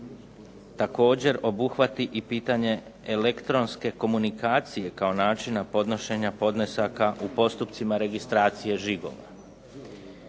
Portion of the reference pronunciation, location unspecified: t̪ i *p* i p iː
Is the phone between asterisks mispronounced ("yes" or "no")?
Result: yes